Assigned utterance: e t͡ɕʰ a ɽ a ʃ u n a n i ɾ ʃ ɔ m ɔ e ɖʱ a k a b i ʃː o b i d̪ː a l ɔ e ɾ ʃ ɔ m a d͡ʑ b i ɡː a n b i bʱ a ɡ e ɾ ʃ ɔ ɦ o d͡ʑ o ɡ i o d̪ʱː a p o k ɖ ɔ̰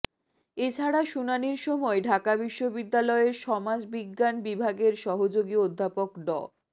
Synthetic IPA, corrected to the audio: e t͡ɕʰ a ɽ a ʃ u n a n i ɾ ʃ ɔ m ɔ e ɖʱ a k a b i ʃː o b i d̪ː a l ɔ e ɾ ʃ ɔ m a d͡ʑ b i ɡː a n b i bʱ a ɡ e ɾ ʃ ɔ ɦ o d͡ʑ o ɡ i o d̪ʱː a p o k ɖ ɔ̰